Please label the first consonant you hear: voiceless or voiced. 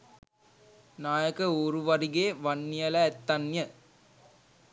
voiced